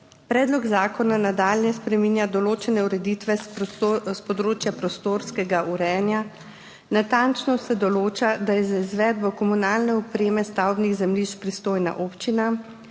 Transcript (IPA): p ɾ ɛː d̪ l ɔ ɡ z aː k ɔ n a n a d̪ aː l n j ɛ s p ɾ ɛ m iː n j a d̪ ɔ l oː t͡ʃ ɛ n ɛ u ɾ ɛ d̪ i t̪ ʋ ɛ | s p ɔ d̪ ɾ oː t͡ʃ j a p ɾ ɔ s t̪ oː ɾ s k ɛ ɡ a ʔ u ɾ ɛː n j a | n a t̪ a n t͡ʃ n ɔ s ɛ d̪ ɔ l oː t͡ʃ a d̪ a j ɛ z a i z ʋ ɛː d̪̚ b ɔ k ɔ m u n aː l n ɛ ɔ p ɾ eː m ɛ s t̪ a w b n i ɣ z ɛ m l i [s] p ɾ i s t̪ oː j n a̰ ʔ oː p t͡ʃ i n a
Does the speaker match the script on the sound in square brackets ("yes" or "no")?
no